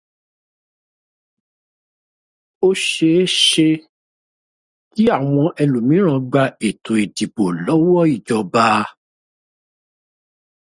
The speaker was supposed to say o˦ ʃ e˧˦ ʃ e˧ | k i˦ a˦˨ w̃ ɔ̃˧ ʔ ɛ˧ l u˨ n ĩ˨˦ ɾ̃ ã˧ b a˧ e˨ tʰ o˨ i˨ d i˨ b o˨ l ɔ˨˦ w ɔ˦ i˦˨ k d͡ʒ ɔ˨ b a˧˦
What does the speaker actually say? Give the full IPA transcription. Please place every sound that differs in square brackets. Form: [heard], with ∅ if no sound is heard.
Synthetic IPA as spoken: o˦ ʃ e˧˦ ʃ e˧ | k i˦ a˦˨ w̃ ɔ̃˧ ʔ ɛ˧ l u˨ [m] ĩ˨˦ ɾ̃ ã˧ [ɡ͡b] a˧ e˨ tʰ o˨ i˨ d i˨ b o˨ l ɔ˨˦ w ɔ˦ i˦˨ [∅] d͡ʒ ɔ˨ b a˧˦